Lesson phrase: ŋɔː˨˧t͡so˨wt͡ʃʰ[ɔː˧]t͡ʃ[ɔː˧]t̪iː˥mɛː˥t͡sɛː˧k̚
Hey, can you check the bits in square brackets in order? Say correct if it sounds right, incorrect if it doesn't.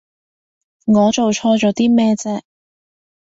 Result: correct, incorrect: ɔː˨˥

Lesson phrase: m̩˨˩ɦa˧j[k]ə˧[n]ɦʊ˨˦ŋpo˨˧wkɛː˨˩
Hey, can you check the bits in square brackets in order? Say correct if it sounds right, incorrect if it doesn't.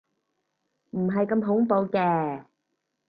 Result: correct, incorrect: m

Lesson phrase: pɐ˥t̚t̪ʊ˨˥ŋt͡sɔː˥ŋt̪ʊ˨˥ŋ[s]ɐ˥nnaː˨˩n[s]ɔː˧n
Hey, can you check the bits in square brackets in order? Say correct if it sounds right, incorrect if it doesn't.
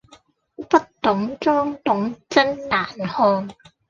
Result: incorrect: t͡s, incorrect: h

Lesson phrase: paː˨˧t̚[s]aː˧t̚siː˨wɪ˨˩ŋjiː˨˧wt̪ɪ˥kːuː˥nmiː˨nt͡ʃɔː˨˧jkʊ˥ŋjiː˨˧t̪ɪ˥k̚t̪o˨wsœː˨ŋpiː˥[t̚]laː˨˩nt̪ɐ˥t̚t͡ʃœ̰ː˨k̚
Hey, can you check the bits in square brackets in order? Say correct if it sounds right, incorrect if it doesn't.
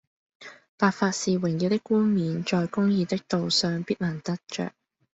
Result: incorrect: f, correct

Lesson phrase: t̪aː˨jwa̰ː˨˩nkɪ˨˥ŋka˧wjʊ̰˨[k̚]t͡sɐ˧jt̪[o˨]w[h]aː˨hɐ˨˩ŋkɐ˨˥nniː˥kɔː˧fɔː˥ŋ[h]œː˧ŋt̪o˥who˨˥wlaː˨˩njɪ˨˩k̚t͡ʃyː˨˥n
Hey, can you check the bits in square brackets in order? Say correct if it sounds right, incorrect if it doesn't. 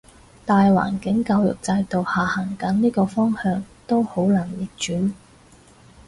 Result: correct, correct, correct, correct

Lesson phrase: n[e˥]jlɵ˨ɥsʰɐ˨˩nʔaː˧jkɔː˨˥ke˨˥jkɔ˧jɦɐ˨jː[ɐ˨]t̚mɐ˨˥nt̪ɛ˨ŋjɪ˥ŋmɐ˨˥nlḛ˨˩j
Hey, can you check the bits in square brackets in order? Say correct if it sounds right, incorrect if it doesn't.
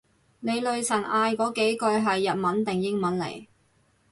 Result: incorrect: e˨˧, correct

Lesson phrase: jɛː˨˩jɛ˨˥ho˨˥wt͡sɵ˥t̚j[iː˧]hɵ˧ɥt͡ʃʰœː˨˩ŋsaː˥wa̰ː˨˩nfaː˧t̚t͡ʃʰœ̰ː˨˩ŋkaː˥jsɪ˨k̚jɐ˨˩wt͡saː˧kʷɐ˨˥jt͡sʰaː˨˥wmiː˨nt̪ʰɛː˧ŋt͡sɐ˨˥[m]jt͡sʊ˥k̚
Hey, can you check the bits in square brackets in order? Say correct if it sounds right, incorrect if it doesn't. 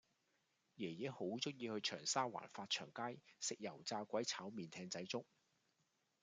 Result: correct, incorrect: none

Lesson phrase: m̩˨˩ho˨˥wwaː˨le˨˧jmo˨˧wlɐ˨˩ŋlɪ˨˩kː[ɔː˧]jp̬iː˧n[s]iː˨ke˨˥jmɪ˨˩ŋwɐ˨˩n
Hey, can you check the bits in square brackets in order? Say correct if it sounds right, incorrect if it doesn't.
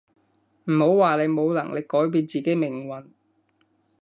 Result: incorrect: ɔː˨˥, incorrect: t͡s

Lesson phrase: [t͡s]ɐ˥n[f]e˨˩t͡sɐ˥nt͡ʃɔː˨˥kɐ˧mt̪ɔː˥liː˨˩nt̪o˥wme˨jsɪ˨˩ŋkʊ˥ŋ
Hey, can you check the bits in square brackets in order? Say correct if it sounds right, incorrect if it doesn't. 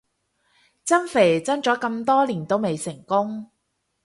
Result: correct, correct

